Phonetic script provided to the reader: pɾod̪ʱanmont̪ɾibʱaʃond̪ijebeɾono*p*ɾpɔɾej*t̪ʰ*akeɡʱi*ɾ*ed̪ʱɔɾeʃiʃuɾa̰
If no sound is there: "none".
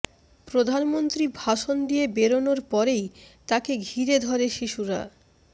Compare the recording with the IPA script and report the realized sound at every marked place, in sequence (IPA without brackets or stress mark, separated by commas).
none, t̪, ɾ